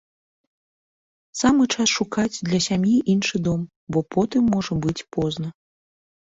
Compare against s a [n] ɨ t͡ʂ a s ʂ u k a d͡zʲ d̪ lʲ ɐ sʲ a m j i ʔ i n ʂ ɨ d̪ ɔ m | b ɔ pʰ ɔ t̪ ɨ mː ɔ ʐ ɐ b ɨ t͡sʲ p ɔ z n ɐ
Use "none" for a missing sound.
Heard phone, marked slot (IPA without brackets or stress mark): m